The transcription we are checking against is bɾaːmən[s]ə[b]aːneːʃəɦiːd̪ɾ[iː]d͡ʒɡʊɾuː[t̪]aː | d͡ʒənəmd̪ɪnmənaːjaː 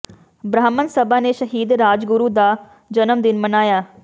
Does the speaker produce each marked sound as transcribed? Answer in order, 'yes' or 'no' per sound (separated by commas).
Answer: yes, yes, no, no